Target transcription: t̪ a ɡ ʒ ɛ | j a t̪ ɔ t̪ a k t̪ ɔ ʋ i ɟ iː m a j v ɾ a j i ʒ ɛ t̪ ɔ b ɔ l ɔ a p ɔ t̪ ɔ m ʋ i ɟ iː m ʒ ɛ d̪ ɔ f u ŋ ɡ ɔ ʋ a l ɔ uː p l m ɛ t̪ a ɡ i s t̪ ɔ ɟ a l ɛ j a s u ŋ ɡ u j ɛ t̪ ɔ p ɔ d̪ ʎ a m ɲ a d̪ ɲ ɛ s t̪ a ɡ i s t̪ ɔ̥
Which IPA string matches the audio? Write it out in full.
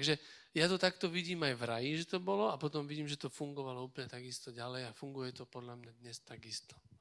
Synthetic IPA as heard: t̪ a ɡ ʒ ɛ | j a t̪ ɔ t̪ a k t̪ ɔ ʋ i ɟ iː m a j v ɾ a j i ʒ ɛ t̪ ɔ b ɔ l ɔ a p ɔ t̪ ɔ m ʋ i ɟ iː m ʒ ɛ t̪ ɔ f u ŋ ɡ ɔ ʋ a l ɔ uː p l ɲ ɛ t̪ a ɡ i s t̪ ɔ ɟ a l ɛ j a f u ŋ ɡ u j ɛ t̪ ɔ p ɔ d̪ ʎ a m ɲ a d̪ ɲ ɛ s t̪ a ɡ i s t̪ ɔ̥